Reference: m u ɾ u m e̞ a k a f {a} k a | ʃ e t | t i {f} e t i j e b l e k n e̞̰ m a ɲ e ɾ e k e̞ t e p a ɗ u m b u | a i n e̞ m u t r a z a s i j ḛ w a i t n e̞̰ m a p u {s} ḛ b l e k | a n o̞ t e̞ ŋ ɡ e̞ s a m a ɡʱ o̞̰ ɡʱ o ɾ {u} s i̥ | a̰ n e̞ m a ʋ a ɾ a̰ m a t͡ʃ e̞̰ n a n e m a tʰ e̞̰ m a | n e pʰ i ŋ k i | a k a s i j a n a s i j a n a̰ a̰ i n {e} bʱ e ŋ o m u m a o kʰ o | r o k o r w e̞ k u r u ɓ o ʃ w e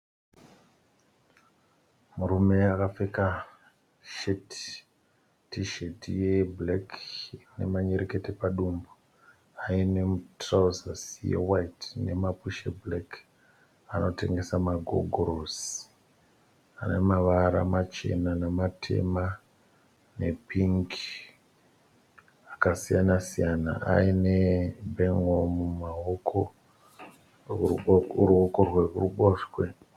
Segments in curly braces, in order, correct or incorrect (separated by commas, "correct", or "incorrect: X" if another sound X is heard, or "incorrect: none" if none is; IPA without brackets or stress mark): incorrect: e, incorrect: ʃ, incorrect: ʃ, incorrect: o, correct